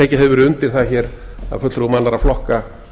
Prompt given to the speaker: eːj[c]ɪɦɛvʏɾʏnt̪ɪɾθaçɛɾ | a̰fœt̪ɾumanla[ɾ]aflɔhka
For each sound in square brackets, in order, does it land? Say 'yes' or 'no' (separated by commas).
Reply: yes, yes